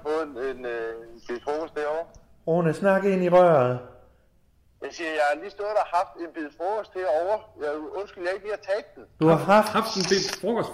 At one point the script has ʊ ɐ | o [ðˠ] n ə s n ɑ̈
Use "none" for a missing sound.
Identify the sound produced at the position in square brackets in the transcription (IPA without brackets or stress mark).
none